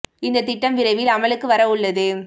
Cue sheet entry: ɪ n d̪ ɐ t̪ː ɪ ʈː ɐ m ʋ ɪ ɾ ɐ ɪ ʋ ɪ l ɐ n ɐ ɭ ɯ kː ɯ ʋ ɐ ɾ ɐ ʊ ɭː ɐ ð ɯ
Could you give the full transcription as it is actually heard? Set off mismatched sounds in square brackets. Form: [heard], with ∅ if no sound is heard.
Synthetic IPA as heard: ɪ n d̪ ɐ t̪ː ɪ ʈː ɐ m ʋ ɪ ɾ ɐ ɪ ʋ ɪ l ɐ [m] ɐ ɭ ɯ kː ɯ ʋ ɐ ɾ ɐ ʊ ɭː ɐ ð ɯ